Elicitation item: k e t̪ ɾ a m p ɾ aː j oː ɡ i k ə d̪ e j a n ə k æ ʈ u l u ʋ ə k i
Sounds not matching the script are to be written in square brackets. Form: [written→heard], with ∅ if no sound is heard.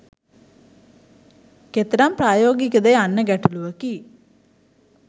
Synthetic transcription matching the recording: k e t̪ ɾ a m p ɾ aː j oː ɡ i k ə d̪ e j a [n→nː] ə [k→ɡ] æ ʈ u l u ʋ ə k i